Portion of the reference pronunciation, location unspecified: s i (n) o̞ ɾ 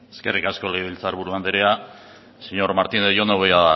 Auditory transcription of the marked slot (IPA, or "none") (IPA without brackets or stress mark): ɲ